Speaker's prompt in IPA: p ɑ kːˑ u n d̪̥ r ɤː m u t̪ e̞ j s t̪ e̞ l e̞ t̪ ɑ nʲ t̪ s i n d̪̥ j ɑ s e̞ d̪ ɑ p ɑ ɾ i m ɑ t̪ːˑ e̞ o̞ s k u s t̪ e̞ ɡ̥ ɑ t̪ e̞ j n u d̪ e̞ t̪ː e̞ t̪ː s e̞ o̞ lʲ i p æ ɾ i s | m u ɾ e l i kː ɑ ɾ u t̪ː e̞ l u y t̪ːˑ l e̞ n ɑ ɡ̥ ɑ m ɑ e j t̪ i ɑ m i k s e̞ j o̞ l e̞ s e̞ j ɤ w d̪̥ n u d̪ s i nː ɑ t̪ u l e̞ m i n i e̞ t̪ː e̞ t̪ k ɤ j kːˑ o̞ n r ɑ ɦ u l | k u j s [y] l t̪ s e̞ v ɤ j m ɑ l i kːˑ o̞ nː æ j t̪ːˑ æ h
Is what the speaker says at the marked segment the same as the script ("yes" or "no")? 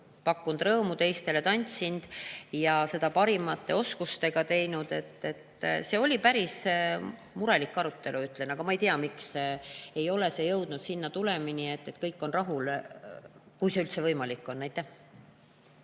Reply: yes